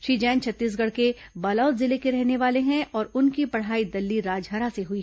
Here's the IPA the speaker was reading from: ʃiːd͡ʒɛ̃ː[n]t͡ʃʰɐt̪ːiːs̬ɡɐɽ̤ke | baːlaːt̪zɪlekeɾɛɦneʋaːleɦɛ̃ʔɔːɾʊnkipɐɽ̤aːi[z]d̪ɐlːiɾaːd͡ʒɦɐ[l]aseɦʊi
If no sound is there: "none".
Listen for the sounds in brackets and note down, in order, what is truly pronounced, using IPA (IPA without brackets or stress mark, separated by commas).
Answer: n, none, ɾ